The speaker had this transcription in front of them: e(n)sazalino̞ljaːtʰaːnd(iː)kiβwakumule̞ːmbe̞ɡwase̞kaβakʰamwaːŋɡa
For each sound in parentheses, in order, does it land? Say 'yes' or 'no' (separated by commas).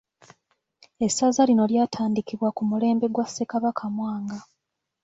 no, no